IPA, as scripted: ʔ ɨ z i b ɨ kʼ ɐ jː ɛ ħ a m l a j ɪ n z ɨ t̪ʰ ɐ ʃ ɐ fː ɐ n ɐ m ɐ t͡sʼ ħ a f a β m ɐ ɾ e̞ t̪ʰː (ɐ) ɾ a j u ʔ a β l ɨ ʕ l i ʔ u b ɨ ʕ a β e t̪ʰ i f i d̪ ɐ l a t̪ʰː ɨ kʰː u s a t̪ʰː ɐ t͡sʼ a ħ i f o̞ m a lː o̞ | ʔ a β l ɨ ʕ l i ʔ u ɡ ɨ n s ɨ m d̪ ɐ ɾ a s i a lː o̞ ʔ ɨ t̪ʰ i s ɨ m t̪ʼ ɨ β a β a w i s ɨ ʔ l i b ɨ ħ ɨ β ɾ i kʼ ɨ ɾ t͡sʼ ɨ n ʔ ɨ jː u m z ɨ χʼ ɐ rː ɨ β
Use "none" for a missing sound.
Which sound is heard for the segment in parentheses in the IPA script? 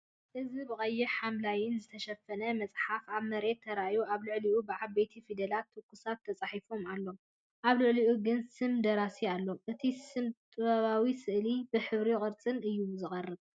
ɐ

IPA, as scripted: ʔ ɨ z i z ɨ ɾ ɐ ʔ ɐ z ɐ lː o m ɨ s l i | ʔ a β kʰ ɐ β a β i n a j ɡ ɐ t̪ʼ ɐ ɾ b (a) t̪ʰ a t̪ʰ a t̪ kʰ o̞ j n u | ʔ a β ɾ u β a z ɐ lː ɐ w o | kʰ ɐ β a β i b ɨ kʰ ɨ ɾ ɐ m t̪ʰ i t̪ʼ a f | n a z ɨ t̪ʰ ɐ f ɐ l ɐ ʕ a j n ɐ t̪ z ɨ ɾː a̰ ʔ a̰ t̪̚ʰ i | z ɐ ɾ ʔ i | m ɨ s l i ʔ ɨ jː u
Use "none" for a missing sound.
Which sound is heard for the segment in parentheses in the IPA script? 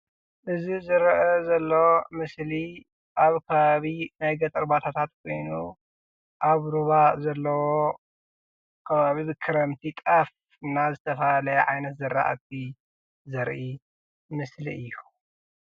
a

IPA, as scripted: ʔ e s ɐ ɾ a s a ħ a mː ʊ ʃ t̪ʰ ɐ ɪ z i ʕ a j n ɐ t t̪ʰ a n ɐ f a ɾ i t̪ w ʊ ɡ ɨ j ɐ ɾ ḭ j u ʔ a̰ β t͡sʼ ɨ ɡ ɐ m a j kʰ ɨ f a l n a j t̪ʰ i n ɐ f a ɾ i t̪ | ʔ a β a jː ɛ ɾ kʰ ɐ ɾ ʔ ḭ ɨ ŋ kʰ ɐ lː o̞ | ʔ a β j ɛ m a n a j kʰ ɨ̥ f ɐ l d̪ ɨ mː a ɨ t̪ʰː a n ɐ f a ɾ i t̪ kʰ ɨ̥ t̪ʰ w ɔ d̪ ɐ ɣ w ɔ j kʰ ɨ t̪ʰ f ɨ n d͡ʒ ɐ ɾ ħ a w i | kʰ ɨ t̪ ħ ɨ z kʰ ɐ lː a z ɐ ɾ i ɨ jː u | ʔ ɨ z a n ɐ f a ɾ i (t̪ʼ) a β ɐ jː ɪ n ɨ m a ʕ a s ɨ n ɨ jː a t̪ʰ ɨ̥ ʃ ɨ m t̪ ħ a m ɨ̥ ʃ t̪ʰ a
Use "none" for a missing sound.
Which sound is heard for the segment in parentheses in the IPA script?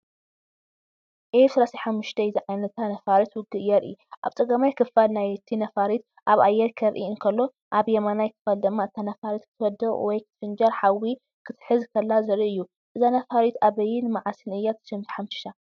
t̪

